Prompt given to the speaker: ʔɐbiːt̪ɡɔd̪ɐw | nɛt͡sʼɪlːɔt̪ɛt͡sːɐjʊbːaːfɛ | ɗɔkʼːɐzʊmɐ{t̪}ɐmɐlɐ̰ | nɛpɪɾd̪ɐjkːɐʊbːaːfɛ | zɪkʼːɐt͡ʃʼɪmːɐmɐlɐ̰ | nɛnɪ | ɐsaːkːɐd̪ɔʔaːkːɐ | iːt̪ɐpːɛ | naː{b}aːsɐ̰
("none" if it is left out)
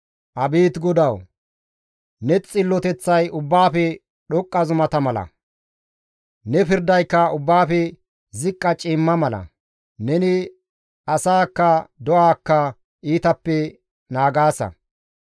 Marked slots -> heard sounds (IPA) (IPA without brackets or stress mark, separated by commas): t̪, ɡ